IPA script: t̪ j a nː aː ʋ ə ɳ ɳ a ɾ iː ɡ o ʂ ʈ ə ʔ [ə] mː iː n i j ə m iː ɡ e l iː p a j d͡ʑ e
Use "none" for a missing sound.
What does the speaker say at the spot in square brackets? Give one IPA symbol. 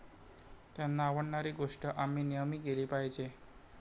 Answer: a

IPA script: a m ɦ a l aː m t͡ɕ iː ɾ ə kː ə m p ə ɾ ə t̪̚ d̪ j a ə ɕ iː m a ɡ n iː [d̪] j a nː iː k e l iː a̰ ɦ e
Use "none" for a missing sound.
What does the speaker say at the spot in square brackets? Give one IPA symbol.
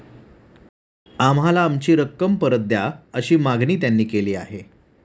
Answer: t̪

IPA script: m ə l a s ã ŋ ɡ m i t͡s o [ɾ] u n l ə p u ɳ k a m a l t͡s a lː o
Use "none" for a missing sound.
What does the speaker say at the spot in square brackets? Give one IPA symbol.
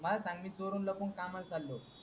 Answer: ɾ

